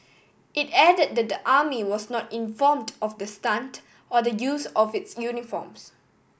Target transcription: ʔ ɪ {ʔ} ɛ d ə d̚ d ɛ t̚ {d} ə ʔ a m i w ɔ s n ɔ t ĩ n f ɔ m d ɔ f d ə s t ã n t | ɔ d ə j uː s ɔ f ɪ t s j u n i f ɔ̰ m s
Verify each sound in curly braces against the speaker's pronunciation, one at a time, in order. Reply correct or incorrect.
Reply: incorrect: t, correct

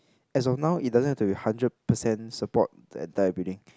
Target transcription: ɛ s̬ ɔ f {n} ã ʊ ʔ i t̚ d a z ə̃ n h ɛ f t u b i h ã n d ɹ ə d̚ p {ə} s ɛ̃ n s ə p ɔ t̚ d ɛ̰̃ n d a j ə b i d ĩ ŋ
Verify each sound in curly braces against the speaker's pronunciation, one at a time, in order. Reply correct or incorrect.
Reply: correct, correct

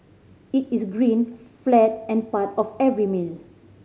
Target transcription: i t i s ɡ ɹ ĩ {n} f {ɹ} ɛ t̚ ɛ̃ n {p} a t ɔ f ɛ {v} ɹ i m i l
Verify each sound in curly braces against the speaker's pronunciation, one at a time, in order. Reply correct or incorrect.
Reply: correct, incorrect: l, correct, correct

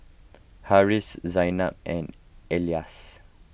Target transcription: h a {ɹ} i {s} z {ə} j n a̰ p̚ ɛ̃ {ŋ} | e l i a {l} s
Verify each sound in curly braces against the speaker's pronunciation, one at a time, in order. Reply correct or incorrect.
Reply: correct, correct, incorrect: a, incorrect: n, incorrect: none

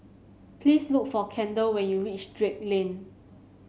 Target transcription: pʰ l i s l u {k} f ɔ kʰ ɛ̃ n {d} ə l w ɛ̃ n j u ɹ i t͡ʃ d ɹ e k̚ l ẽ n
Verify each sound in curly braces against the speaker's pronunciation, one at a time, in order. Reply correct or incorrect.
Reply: correct, correct

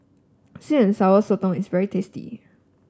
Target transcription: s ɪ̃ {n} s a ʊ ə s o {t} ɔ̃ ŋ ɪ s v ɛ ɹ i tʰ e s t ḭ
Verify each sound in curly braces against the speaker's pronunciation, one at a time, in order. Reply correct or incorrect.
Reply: correct, correct

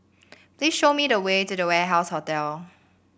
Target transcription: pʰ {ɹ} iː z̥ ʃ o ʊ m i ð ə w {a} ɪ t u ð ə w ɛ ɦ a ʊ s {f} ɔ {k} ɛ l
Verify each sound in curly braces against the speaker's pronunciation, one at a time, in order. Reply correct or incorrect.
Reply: incorrect: l, incorrect: e, incorrect: h, incorrect: t

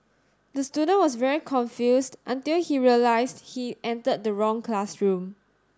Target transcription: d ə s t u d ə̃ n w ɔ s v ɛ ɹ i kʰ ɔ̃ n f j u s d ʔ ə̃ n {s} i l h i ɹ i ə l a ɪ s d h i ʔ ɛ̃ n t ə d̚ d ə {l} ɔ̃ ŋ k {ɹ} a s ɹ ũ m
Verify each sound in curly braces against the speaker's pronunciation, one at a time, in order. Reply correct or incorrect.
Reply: incorrect: t, incorrect: ɹ, incorrect: l

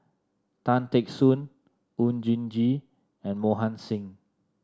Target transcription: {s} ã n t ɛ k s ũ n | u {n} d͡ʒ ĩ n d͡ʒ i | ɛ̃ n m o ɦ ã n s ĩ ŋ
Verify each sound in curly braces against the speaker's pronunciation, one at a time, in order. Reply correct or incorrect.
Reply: incorrect: t, correct

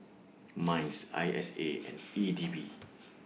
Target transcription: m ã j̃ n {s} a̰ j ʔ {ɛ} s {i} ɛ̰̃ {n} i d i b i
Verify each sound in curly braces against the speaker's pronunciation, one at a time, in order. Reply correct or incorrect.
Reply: correct, correct, incorrect: e, correct

